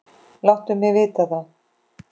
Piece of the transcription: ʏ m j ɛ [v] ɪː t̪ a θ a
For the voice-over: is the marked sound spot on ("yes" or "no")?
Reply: yes